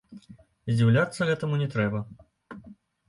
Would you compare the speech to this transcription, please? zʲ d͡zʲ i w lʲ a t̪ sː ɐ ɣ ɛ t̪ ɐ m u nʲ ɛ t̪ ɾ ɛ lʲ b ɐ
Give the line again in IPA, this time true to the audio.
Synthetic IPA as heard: zʲ d͡zʲ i w lʲ a t̪ sː ɐ ɣ ɛ t̪ ɐ m u nʲ ɛ t̪ ɾ ɛ b ɐ